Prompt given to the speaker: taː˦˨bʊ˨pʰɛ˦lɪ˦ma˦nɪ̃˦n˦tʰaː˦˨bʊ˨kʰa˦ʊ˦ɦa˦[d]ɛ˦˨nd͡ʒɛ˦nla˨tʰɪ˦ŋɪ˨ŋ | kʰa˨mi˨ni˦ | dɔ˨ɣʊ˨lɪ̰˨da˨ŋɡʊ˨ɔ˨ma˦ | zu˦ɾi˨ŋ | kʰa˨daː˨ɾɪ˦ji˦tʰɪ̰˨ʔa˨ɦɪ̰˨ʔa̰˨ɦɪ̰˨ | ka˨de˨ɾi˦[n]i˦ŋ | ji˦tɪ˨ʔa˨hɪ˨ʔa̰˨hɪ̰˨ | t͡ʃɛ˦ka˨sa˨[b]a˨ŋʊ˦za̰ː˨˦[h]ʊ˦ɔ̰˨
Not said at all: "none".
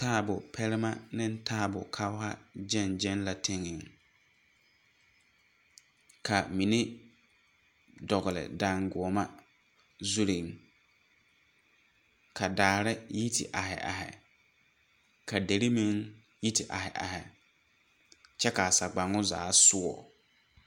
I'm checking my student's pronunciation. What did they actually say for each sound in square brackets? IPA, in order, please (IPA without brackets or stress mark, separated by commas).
d͡ʒ, m, ɡ͡b, s